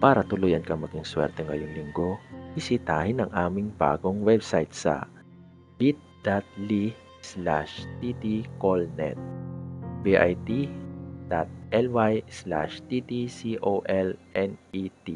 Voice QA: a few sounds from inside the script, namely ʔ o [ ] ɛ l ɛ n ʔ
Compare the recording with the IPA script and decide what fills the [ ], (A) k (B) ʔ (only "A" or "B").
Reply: B